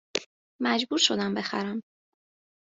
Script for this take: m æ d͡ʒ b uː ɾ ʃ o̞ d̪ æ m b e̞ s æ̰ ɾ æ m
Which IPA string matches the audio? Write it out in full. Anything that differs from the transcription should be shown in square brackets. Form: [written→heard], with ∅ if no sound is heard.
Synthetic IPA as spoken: m æ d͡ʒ b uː ɾ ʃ o̞ d̪ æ m b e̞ [s→x] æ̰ ɾ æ m